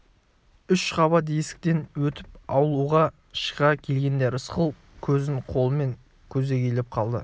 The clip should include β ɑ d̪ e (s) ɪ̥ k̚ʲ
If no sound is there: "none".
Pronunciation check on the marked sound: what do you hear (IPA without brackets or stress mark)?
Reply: s